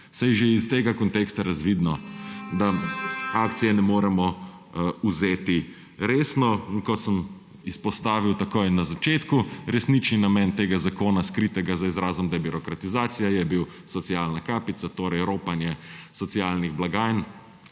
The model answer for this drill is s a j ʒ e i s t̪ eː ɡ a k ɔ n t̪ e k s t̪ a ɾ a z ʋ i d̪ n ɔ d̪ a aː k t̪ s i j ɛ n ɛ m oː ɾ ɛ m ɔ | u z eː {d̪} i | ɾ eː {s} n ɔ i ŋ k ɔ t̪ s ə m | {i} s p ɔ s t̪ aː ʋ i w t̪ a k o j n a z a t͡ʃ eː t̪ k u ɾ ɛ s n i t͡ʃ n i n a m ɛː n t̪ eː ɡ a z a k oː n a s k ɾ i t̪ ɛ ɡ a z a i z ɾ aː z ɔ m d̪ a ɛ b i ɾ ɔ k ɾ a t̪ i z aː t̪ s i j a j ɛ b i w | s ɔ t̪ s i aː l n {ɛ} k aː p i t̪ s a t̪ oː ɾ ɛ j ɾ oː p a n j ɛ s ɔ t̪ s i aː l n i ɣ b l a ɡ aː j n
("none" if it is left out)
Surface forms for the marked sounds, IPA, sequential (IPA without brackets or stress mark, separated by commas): t̪, s, i, a